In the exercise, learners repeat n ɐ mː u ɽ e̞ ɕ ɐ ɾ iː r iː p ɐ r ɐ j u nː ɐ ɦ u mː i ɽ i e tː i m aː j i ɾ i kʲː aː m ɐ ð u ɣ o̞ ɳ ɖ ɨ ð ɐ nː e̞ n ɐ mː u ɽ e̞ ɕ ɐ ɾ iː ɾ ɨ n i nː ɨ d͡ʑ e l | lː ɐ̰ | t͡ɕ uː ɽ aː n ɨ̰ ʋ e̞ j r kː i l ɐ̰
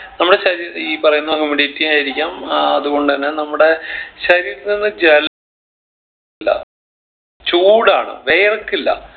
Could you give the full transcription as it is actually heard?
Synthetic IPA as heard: n ɐ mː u ɽ e̞ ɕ ɐ ɾ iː ɾ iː p ɐ r ɐ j u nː ɐ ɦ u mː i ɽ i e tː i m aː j i ɾ i kʲː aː m ɐ ð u ɣ o̞ ɳ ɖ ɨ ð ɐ nː e̞ n ɐ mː u ɽ e̞ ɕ ɐ ɾ iː ɾ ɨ n i nː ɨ d͡ʑ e l | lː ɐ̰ | t͡ɕ uː ɽ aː ɳ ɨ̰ ʋ e̞ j r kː i lː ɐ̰